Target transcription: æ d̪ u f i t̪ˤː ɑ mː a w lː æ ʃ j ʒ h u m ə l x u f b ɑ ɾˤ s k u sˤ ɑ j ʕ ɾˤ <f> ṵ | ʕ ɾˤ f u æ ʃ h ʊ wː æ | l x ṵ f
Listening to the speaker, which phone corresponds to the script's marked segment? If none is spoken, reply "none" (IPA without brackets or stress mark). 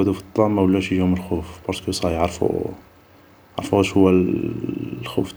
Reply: f